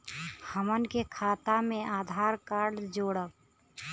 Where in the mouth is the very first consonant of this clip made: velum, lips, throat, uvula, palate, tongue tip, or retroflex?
throat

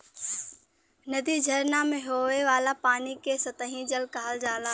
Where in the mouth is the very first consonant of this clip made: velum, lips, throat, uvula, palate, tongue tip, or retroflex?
tongue tip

